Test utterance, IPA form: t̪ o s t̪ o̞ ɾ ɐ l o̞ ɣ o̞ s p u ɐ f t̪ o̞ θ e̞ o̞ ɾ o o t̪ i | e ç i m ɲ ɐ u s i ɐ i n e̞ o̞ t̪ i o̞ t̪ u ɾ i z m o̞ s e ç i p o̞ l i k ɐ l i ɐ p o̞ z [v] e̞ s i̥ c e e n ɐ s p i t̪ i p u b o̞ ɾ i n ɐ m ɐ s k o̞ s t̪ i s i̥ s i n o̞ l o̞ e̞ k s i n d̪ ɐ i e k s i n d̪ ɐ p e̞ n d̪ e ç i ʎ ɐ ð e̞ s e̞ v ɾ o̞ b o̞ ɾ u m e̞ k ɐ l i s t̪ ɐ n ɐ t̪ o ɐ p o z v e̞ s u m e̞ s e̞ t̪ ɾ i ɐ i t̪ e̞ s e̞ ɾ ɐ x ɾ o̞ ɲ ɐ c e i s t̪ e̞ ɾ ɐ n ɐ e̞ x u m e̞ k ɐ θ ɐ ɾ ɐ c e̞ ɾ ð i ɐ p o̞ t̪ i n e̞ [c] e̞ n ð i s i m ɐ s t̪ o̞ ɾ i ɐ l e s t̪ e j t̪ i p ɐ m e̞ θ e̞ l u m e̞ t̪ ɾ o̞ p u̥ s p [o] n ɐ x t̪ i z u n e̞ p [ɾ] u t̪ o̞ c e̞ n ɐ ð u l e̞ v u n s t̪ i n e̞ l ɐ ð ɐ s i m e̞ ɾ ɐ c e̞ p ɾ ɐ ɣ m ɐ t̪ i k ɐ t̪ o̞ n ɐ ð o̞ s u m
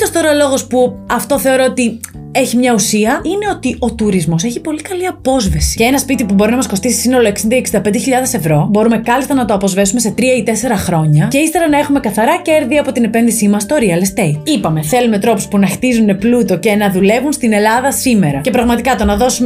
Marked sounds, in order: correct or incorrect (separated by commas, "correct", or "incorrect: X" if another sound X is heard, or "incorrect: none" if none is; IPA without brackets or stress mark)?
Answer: correct, incorrect: p, incorrect: u, incorrect: l